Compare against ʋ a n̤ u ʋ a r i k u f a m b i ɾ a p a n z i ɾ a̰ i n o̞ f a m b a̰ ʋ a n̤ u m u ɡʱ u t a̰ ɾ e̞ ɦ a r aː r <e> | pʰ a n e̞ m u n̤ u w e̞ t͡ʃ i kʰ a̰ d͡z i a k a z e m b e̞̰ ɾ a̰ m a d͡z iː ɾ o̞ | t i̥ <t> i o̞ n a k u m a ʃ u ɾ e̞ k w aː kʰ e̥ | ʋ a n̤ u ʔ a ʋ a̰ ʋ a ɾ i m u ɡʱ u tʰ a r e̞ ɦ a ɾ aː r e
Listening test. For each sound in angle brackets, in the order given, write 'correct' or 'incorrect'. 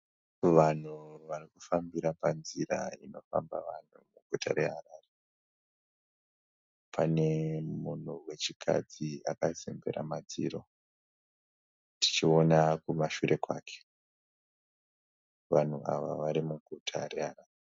correct, incorrect

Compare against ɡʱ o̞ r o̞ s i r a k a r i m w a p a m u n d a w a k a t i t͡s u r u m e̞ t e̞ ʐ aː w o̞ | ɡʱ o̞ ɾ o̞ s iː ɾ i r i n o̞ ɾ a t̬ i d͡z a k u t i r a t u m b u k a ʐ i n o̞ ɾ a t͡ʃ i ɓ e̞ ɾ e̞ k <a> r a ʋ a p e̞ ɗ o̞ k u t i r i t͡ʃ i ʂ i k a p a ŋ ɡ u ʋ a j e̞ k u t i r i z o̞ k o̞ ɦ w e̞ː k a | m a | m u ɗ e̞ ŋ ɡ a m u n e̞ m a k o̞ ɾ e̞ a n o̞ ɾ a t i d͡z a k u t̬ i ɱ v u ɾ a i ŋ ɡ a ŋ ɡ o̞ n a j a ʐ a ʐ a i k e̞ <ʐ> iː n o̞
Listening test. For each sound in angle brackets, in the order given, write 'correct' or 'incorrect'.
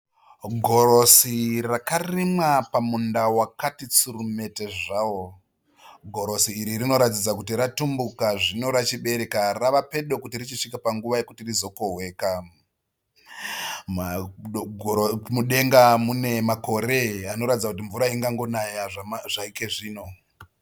correct, correct

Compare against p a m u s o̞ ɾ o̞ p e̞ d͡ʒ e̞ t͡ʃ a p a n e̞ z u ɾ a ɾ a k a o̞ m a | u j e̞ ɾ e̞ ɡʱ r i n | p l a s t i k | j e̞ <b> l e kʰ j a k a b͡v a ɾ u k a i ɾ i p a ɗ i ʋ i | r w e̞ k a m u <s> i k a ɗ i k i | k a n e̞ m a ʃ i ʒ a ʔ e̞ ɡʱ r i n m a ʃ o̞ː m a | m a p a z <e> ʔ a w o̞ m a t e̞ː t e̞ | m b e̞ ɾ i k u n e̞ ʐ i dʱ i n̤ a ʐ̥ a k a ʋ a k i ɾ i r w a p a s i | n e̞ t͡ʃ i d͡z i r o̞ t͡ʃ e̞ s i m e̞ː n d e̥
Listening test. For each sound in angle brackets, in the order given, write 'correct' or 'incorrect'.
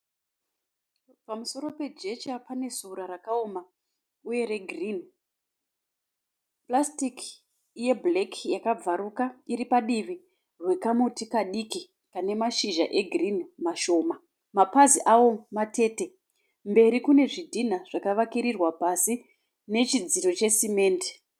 correct, incorrect, incorrect

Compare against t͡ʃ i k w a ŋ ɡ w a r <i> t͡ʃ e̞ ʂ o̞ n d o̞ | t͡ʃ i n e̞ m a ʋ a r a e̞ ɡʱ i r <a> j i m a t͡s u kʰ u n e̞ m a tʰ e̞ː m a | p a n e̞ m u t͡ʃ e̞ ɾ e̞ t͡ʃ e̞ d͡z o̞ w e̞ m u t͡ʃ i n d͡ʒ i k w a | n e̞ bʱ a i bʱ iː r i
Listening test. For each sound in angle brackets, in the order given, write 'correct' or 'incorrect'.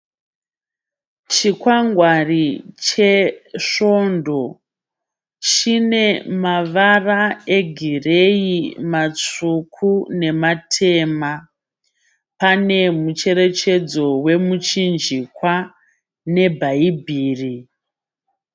correct, incorrect

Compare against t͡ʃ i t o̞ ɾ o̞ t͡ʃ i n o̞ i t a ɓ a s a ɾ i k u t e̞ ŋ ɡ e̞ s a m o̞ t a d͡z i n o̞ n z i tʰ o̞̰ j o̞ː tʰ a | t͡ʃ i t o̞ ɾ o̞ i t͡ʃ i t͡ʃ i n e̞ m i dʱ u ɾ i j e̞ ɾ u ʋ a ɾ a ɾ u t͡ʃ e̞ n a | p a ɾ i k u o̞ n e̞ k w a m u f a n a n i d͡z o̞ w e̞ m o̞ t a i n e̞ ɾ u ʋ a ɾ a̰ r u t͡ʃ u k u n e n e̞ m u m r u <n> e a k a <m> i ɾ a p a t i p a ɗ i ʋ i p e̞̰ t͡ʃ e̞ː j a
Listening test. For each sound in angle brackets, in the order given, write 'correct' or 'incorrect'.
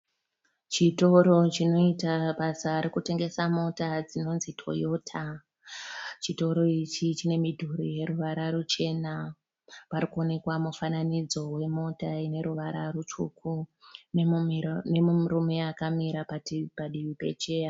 incorrect, correct

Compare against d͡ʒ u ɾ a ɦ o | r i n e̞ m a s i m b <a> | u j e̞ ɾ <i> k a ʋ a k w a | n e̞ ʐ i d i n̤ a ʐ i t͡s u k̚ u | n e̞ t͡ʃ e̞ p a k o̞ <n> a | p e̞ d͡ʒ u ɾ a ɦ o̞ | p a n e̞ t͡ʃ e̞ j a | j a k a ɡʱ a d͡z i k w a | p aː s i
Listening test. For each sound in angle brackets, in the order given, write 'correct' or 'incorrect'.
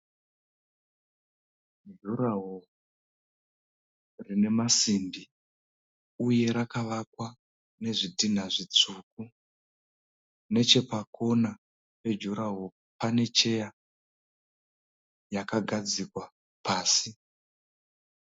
incorrect, incorrect, correct

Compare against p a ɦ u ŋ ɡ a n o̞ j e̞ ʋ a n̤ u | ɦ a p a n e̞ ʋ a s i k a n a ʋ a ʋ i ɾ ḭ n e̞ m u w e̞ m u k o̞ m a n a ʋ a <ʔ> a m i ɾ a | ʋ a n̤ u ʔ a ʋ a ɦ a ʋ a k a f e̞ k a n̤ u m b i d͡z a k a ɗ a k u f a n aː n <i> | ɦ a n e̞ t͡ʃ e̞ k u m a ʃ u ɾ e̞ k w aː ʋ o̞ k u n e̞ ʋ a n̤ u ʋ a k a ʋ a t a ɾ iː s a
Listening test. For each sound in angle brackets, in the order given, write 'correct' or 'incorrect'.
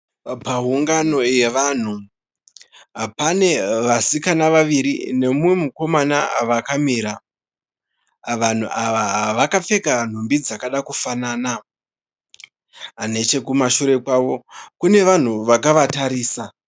incorrect, incorrect

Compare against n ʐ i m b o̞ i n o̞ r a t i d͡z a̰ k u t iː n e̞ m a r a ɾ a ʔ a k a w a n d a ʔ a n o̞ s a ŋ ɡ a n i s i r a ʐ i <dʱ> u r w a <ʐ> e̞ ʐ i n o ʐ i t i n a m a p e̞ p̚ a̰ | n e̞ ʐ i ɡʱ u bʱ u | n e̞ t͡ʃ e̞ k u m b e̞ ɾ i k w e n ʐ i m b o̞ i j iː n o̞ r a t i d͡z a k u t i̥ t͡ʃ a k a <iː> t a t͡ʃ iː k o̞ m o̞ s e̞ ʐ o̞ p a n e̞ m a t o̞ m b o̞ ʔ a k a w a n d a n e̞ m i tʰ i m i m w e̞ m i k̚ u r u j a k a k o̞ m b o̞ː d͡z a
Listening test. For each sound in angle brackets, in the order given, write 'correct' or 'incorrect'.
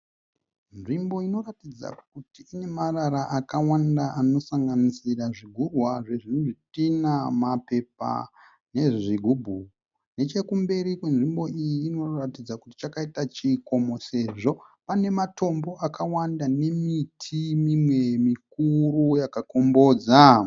incorrect, correct, incorrect

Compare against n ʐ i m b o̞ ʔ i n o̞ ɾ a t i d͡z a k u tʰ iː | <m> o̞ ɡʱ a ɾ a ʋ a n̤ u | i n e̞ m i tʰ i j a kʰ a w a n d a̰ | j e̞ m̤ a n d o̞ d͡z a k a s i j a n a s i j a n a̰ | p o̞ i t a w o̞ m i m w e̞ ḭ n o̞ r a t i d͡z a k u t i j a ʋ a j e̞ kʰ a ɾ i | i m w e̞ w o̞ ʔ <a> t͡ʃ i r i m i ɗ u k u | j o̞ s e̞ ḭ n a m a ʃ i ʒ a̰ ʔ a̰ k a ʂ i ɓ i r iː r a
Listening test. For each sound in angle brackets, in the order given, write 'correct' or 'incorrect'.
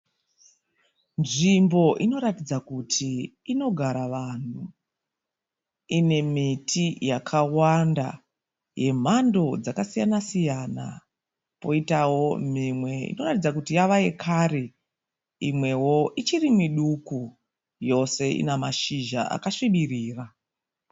incorrect, incorrect

